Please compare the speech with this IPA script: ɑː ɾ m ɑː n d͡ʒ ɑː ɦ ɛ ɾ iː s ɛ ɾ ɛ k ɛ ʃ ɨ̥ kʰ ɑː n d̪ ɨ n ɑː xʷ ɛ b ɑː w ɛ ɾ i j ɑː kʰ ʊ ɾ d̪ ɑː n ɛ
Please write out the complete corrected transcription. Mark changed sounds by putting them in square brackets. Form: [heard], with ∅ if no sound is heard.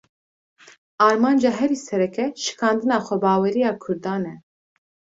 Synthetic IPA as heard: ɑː ɾ m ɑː n d͡ʒ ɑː ɦ ɛ ɾ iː s ɛ ɾ ɛ k ɛ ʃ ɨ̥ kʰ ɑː n d̪ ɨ n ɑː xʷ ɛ b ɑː w ɛ ɾ i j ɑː kʰ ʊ ɾ d̪ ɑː n ɛ

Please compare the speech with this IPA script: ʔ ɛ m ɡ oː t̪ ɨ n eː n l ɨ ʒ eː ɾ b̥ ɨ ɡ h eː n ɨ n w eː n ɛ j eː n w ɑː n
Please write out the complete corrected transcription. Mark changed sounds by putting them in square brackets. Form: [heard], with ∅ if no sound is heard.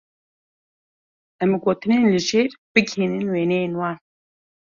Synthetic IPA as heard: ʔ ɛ m ɡ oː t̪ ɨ n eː n l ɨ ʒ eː ɾ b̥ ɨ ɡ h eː n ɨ n w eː n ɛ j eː n w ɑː n

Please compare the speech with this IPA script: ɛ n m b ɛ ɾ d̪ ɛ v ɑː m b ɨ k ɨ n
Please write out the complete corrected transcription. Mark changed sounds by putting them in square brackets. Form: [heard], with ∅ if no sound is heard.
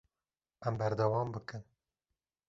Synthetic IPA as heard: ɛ [∅] m b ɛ ɾ d̪ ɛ [w] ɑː m b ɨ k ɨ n

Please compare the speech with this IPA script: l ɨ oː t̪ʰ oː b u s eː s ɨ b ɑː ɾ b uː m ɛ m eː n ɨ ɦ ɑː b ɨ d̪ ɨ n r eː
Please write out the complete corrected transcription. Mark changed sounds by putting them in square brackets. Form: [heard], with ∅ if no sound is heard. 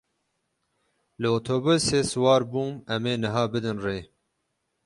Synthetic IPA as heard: l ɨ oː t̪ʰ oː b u s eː s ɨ [w] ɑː ɾ b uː m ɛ m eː n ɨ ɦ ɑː b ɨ d̪ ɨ n r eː

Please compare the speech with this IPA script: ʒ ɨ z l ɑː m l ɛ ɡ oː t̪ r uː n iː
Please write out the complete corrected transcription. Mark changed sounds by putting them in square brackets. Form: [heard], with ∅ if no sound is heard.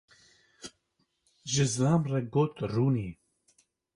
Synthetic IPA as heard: ʒ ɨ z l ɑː m [r] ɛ ɡ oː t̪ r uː n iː

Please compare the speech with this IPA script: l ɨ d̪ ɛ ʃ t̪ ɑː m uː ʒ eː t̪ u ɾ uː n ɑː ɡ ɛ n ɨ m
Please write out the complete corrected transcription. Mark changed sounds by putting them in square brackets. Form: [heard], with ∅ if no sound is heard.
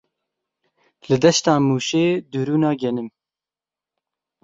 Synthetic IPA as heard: l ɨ d̪ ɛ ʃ t̪ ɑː m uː [ʃ] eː [d̪] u ɾ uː n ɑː ɡ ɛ n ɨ m

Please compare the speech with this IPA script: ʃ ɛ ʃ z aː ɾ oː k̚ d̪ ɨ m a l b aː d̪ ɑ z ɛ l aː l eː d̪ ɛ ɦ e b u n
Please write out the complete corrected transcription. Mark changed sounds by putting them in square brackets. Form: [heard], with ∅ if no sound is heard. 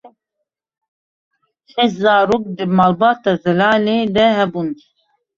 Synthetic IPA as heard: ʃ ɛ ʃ z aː ɾ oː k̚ d̪ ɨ m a l b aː [t̪] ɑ z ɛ l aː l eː d̪ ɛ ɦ [ɛ] b u n

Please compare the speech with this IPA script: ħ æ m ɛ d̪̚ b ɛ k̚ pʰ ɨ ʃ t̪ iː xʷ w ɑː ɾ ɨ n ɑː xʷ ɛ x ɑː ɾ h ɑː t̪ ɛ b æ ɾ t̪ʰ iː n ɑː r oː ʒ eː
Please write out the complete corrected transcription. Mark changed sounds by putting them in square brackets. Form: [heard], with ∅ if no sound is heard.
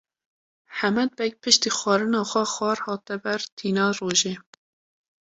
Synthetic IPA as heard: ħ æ m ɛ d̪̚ b ɛ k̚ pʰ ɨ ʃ t̪ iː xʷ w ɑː ɾ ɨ n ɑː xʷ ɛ x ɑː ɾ h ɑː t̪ ɛ b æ ɾ t̪ʰ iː n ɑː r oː ʒ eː

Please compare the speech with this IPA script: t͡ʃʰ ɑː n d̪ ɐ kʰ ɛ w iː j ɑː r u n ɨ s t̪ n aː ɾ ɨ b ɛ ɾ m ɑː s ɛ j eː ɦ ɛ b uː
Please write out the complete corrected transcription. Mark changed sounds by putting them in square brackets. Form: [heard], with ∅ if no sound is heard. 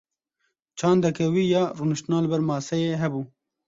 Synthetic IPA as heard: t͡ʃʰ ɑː n d̪ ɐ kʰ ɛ w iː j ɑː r u n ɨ [ʃ] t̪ n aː [l] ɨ b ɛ ɾ m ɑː s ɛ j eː ɦ ɛ b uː

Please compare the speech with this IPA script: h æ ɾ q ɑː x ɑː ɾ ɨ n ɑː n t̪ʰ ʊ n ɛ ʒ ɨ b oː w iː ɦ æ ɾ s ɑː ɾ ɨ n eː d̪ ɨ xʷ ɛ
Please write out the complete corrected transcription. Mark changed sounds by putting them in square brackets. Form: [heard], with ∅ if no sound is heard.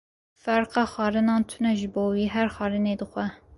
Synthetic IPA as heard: [f] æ ɾ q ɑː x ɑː ɾ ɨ n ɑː n t̪ʰ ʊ n ɛ ʒ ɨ b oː w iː ɦ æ ɾ [x] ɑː ɾ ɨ n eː d̪ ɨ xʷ ɛ

